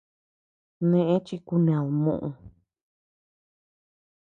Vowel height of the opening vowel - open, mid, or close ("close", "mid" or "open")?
mid